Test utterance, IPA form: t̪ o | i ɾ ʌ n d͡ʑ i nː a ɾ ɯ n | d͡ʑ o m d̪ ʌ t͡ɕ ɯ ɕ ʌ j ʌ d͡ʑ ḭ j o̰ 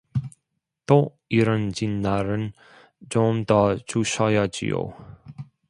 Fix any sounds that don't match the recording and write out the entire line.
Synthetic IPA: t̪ o | i ɾ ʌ n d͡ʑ i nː a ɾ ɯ n | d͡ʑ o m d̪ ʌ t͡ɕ u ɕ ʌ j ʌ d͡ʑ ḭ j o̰

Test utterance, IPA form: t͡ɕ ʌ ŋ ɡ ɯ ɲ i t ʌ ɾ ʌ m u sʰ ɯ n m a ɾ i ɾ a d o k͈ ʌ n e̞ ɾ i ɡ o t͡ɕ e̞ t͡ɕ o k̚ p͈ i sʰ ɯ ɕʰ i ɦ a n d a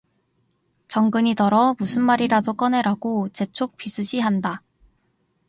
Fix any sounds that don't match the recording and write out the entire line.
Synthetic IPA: t͡ɕ ʌ ŋ ɡ ɯ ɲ i t ʌ ɾ ʌ m u sʰ ɯ n m a ɾ i ɾ a d o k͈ ʌ n e̞ ɾ a ɡ o t͡ɕ e̞ t͡ɕʰ o k̚ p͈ i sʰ ɯ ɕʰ i ɦ a n d a

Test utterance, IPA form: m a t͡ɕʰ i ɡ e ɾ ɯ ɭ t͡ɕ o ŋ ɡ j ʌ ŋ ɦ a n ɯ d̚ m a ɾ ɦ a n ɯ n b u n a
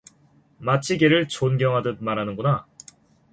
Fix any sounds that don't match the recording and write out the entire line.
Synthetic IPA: m a t͡ɕʰ i ɡ e ɾ ɯ ɭ t͡ɕ o n ɡ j ʌ ŋ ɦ a d ɯ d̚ m a ɾ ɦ a n ɯ n ɡ u n a

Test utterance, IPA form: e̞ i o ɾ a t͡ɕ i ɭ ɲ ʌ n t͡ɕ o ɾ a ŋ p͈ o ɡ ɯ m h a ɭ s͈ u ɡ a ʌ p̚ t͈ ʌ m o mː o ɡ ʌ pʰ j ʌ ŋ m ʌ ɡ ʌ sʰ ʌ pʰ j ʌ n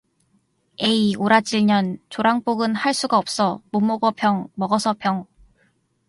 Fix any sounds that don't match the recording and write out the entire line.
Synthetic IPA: e̞ i o ɾ a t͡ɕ i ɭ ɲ ʌ n t͡ɕ o ɾ a ŋ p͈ o ɡ ɯ n h a ɭ s͈ u ɡ a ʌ p̚ s͈ ʌ m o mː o ɡ ʌ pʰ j ʌ ŋ m ʌ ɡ ʌ sʰ ʌ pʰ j ʌ ŋ

